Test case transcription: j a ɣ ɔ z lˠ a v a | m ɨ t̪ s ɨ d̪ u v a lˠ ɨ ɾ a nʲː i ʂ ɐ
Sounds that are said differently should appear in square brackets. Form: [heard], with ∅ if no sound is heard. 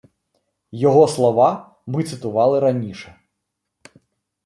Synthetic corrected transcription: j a ɣ ɔ [s] lˠ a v a | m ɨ t̪ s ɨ [t̪] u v a lˠ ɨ ɾ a [nʲ] i ʂ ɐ